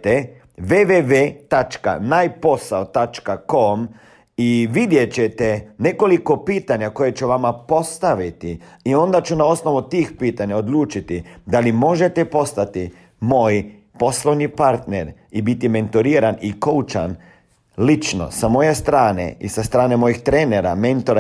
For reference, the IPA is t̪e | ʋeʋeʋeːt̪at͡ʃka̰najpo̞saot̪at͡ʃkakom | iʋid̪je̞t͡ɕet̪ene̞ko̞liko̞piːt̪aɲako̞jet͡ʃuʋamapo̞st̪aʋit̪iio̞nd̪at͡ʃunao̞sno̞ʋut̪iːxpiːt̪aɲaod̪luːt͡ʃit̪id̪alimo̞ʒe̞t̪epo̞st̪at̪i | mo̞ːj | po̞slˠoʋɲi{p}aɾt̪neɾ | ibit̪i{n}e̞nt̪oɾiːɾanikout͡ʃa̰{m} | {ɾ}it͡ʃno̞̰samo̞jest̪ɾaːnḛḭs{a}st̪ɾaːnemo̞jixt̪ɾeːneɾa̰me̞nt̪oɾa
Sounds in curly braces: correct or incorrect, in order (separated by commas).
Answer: correct, incorrect, incorrect, incorrect, correct